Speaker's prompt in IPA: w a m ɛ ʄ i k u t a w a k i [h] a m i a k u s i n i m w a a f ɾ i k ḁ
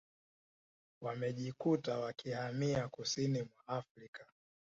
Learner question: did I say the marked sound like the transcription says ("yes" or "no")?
yes